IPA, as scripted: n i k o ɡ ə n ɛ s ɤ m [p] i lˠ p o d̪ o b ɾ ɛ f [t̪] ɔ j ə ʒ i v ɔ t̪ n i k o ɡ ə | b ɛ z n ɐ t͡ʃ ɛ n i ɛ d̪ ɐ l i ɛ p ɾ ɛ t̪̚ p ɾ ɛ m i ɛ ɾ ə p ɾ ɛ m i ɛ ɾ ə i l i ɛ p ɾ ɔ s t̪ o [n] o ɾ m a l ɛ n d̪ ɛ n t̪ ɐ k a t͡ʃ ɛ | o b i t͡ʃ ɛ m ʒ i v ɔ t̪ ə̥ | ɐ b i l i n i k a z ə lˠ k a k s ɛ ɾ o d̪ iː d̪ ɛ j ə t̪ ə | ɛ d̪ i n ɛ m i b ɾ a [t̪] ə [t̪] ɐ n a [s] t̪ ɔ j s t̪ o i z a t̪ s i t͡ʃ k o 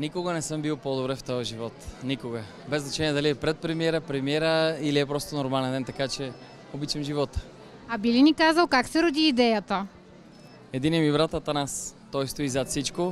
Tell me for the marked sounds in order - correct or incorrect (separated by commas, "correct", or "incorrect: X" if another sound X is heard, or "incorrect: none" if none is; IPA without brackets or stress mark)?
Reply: incorrect: b, correct, correct, correct, correct, correct